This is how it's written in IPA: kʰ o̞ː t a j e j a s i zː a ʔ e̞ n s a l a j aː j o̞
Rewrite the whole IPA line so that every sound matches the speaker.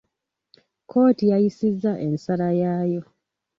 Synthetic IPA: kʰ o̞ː t i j a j i s i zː a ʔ e̞ n s a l a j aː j o̞